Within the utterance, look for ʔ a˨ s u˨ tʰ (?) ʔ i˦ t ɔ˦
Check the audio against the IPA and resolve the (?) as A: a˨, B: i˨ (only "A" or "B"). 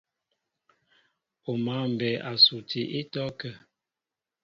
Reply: B